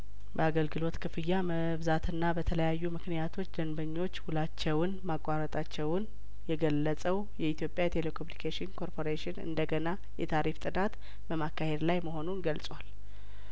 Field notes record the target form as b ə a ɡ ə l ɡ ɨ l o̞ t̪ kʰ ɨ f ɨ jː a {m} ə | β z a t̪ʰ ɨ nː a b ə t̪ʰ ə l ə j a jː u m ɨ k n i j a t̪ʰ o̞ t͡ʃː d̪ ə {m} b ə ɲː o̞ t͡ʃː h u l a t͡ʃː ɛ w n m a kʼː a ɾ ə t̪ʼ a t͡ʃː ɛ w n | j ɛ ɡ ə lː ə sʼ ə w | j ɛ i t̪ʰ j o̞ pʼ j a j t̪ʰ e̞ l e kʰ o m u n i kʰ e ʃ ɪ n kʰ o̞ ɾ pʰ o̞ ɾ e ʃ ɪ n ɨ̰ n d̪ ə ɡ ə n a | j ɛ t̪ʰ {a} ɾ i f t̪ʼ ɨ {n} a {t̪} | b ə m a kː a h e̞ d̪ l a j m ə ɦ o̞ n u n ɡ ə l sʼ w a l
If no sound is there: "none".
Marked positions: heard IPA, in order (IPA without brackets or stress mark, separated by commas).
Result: m, n, a, n, t̪